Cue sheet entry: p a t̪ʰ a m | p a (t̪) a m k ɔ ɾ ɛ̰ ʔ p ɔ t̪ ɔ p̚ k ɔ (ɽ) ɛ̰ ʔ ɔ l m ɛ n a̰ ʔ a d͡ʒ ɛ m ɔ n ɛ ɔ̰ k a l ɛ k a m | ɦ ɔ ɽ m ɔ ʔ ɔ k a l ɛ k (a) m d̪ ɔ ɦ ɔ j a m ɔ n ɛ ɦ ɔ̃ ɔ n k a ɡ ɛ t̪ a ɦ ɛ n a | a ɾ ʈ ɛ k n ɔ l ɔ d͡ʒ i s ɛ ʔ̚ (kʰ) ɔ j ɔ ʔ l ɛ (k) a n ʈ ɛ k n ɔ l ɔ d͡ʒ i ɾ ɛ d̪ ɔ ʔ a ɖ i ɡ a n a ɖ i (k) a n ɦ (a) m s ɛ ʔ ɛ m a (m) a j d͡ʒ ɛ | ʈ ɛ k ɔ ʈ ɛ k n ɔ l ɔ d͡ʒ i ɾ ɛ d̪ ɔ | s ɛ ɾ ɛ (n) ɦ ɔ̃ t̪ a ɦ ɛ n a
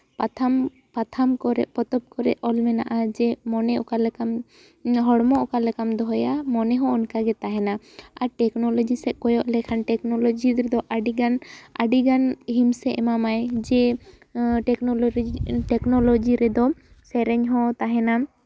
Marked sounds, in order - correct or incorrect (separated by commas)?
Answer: incorrect, incorrect, correct, incorrect, incorrect, incorrect, incorrect, correct, incorrect